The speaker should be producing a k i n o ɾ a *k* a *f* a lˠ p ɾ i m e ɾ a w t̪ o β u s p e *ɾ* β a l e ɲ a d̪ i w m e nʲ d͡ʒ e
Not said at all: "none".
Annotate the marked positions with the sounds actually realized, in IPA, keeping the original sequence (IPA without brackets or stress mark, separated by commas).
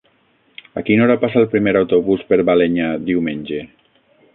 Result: p, s, ɾ